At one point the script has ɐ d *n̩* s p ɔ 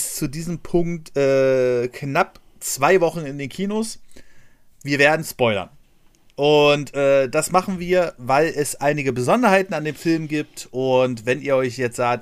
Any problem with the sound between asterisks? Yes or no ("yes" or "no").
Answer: no